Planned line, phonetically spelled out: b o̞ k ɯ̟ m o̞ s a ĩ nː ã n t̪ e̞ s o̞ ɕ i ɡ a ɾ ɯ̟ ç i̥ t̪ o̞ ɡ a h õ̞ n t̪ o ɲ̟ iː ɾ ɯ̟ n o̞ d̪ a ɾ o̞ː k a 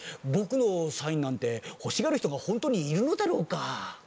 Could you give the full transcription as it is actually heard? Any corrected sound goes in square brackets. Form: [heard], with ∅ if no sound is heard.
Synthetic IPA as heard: b o̞ k ɯ̟ [n] o̞ s a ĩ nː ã n t̪ e̞ [h] o̞ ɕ i ɡ a ɾ ɯ̟ ç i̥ t̪ o̞ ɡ a h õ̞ n t̪ o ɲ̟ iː ɾ ɯ̟ n o̞ d̪ a ɾ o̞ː k a